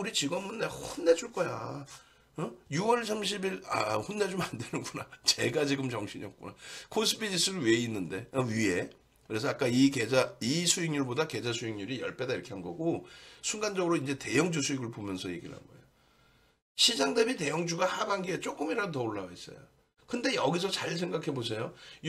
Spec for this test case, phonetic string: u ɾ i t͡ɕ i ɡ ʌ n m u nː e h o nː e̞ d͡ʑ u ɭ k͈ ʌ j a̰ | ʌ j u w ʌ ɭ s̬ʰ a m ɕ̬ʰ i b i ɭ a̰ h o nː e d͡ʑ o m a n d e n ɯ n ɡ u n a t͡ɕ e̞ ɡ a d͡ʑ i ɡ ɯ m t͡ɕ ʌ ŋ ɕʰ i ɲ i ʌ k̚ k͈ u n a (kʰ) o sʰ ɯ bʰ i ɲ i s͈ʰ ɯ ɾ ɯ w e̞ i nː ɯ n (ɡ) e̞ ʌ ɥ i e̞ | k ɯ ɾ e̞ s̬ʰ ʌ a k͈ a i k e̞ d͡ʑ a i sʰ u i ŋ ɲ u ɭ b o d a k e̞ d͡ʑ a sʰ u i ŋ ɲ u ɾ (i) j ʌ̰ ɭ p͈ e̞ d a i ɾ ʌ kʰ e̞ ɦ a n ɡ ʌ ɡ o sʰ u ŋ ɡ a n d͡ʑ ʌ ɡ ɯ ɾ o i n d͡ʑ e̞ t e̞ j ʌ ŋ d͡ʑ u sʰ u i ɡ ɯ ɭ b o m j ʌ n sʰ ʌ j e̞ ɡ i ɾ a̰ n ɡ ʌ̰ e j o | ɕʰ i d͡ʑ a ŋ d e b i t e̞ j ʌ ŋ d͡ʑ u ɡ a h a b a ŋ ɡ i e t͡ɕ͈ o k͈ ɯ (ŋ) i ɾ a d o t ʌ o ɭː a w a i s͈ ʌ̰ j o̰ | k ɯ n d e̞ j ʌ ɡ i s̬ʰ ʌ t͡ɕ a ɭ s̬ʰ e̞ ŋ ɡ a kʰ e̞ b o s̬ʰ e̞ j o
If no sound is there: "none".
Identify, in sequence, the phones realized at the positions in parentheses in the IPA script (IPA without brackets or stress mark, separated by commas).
kʰ, d, i, m